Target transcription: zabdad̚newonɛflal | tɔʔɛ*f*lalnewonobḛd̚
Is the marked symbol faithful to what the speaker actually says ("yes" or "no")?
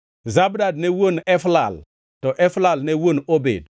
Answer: yes